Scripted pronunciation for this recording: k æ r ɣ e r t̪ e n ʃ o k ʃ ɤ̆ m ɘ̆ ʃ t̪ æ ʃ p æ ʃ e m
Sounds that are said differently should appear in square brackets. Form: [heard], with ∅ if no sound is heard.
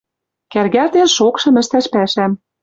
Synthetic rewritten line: k æ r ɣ [æ] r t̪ e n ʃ o k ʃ ɤ̆ m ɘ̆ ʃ t̪ æ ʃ p æ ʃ [æ] m